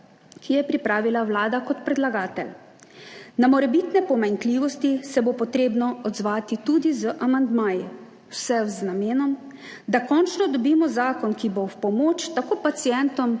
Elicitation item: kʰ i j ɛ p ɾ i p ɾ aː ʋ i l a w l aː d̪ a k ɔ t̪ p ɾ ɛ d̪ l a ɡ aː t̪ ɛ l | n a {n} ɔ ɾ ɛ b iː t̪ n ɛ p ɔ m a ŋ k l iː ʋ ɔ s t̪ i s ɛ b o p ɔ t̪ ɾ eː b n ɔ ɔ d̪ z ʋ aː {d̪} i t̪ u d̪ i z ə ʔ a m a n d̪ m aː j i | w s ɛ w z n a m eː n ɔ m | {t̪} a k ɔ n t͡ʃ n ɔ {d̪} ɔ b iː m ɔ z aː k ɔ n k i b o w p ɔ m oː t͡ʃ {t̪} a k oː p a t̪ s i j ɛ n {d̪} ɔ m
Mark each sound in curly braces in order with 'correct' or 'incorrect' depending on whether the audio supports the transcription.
incorrect: m, incorrect: t̪, incorrect: d̪, correct, correct, incorrect: t̪

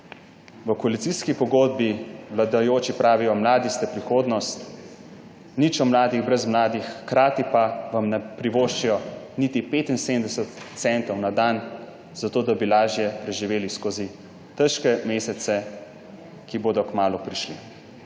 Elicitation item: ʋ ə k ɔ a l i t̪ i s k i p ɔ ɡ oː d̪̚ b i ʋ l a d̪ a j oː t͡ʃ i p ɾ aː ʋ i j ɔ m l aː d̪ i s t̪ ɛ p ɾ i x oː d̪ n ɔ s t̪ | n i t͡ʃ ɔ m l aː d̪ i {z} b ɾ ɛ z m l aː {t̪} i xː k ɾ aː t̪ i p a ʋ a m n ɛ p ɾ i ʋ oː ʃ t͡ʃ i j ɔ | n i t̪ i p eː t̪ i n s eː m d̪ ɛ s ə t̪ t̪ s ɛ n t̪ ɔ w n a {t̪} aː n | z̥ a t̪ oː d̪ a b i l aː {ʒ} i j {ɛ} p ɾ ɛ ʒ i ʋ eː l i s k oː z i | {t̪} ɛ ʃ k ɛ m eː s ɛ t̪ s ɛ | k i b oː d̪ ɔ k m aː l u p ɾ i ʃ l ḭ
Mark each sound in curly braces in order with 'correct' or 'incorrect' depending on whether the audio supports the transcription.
incorrect: ɣ, incorrect: d̪, incorrect: d̪, correct, correct, correct

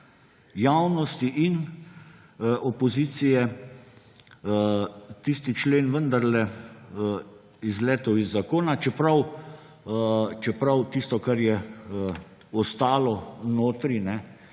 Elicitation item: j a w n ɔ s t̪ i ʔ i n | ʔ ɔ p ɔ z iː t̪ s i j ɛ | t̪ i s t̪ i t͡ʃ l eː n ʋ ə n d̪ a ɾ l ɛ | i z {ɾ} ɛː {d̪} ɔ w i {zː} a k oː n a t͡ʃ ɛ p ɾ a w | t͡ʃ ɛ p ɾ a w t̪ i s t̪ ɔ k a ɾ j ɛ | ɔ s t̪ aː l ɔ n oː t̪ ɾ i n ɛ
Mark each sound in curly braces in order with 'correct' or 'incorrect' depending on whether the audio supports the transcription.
incorrect: l, incorrect: t̪, correct

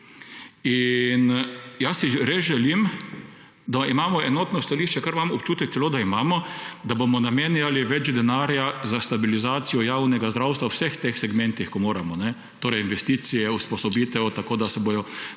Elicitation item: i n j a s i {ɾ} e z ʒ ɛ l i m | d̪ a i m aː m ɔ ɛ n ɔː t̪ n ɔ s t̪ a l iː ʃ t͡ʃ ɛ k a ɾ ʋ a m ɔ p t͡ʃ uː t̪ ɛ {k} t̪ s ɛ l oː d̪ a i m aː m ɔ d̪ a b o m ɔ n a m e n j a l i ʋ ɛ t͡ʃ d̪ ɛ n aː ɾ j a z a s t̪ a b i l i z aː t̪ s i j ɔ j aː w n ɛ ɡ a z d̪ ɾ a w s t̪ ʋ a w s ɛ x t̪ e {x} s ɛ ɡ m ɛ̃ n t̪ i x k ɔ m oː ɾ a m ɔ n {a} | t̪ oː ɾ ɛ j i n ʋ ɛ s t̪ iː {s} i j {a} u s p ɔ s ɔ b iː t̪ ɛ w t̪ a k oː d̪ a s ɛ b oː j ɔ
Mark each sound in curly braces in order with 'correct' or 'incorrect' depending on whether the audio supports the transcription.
correct, correct, correct, incorrect: ɛ, correct, incorrect: ɛ

